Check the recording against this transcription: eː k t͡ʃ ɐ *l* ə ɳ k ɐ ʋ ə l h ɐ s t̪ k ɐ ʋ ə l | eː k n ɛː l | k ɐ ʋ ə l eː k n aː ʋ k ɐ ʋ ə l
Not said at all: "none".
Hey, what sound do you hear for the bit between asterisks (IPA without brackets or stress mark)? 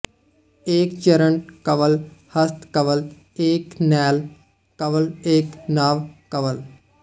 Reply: ɾ